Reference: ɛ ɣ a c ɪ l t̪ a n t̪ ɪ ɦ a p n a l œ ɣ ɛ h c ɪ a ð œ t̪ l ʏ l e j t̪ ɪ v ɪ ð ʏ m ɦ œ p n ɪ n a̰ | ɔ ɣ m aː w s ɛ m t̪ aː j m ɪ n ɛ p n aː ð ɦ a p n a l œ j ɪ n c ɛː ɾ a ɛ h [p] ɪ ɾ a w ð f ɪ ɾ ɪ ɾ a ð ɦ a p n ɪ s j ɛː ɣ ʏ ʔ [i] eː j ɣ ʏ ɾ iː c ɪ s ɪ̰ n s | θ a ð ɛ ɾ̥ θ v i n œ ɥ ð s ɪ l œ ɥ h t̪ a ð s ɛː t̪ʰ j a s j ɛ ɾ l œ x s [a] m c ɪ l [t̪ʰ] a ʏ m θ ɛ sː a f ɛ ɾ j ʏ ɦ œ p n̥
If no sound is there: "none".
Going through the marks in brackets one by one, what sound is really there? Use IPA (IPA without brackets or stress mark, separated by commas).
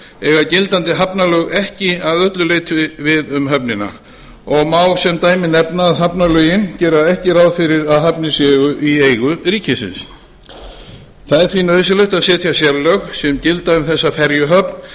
c, i, ɛ, t̪